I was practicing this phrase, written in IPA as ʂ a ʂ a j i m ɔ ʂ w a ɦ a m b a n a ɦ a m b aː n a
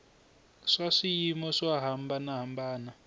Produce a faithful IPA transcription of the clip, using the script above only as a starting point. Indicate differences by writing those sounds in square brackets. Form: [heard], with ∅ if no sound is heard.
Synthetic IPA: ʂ a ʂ [i] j i m ɔ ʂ w a ɦ a m b a n a ɦ a m b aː n a

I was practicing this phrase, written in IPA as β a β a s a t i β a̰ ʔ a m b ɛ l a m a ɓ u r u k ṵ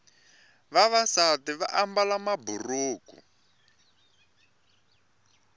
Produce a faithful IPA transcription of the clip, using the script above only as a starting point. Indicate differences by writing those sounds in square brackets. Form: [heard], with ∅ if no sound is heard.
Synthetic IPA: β a β a s a t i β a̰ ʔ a m b [a] l a m a [b] u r [uː] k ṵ

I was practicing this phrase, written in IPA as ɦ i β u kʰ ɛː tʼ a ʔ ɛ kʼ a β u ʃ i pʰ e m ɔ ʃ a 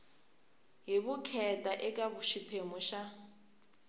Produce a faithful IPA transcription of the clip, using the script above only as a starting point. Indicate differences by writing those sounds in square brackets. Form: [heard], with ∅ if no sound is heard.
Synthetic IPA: ɦ i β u kʰ [ɛ] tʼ a ʔ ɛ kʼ a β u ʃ i pʰ e m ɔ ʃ a

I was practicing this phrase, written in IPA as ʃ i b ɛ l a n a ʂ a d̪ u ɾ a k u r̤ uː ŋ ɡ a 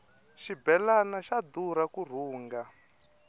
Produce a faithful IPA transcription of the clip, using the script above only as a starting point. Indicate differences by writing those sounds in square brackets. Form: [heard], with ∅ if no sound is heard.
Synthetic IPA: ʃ i b ɛ l a n a [ʃ] a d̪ u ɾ a k u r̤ uː ŋ ɡ a

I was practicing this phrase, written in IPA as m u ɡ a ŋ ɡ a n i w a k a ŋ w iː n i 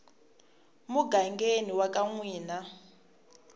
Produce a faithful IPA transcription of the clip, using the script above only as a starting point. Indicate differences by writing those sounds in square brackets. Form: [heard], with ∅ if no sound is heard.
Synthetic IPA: m u ɡ a ŋ ɡ [e] n i w a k a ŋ w iː n [a]

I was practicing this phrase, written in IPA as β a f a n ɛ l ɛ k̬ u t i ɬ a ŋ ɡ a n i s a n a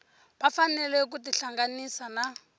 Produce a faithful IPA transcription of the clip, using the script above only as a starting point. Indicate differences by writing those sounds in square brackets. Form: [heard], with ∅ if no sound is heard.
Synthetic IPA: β a f a n ɛ l ɛ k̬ u t i ɬ a ŋ ɡ a n i s a n a

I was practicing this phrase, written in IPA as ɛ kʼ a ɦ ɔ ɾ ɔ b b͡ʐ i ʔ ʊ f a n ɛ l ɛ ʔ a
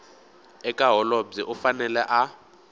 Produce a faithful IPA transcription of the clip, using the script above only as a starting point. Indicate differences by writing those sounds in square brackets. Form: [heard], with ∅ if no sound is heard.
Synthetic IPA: ɛ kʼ a ɦ ɔ [l] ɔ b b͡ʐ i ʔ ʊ f a n ɛ l ɛ ʔ a

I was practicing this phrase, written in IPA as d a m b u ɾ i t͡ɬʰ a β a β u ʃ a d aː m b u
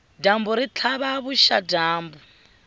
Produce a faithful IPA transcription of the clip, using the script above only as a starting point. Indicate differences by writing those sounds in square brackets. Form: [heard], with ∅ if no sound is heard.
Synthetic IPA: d a m b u ɾ i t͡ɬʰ a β a β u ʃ a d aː m b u

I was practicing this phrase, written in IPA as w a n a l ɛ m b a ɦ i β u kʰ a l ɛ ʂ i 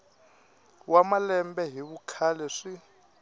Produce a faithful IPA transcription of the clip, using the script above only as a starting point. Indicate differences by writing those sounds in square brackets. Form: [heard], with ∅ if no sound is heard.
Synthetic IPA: w a [m] a l ɛ m b [ɛ] ɦ i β u kʰ a l ɛ ʂ i

